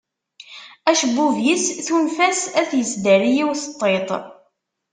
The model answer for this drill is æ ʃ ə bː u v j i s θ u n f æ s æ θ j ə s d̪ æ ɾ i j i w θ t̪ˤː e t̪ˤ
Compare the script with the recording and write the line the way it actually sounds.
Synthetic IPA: æ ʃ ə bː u v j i s θ u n f æ s æ θ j ə s d̪ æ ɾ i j i w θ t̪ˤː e t̪ˤ